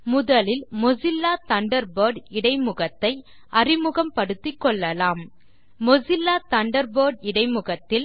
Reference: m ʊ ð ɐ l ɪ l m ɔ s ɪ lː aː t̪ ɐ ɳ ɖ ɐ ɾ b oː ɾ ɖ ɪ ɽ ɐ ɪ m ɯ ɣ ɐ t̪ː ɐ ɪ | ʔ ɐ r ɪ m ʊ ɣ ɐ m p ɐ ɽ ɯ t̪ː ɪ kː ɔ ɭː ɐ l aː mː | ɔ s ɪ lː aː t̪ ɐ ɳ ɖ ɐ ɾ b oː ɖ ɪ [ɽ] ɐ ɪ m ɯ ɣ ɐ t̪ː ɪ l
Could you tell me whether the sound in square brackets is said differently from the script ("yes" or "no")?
no